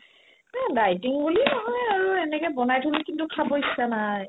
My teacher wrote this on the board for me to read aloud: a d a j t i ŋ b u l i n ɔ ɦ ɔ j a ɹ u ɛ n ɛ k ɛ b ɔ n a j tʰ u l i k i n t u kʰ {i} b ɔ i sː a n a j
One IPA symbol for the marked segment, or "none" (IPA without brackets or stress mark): a